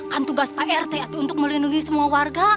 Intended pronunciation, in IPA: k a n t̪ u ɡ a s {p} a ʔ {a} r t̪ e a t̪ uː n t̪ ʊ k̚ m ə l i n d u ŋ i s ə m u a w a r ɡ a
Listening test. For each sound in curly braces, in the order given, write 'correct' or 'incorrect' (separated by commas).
correct, incorrect